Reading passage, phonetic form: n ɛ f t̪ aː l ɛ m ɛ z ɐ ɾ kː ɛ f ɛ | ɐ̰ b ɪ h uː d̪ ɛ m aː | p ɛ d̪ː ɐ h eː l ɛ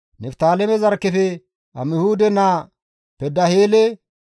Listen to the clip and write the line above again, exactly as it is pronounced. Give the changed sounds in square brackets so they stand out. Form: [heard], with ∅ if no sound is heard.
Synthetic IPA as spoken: n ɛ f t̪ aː l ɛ m ɛ z ɐ ɾ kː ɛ f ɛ | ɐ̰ [m] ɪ h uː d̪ ɛ [n] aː | p ɛ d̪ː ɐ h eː l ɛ